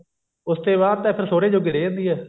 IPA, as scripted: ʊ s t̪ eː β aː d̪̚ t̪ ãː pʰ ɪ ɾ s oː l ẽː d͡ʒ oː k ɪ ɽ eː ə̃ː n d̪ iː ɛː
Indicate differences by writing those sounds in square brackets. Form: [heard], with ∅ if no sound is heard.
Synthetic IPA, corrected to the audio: ʊ s t̪ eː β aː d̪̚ t̪ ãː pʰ ɪ ɾ s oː [ɾ] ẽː d͡ʒ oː [ɡ] ɪ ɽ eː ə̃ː n d̪ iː ɛː